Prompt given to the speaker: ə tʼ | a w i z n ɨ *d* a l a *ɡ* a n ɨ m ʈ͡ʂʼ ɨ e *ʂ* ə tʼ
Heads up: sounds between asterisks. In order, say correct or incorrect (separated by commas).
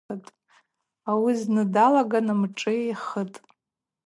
correct, correct, incorrect